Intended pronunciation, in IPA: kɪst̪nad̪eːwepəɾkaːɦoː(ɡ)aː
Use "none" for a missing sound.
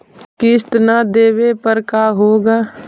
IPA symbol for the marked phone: ɡ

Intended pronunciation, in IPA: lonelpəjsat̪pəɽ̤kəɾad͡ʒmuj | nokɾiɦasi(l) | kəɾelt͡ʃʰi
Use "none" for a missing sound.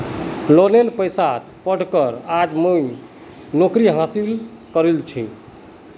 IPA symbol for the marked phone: l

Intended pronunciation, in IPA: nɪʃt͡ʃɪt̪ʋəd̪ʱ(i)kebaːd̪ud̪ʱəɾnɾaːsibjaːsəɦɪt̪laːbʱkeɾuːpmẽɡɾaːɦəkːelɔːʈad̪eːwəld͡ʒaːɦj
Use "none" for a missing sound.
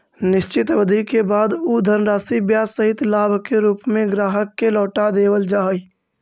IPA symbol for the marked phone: i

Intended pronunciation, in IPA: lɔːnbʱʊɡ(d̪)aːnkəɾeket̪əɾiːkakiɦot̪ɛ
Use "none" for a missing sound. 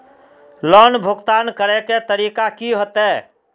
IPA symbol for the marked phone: t̪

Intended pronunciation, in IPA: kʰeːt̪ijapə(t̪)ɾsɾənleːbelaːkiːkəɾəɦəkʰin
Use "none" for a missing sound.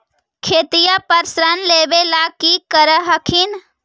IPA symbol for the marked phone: none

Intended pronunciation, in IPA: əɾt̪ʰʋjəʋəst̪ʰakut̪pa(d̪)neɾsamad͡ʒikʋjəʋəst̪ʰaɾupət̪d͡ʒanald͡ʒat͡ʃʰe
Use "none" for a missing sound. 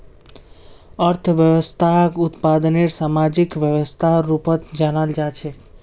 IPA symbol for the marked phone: d̪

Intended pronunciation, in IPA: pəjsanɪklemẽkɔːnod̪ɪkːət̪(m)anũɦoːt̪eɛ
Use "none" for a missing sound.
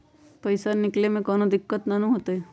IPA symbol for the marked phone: n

